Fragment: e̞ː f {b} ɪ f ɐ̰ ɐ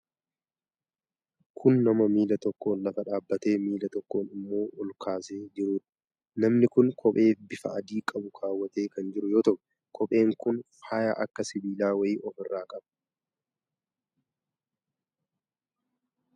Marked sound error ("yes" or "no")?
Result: no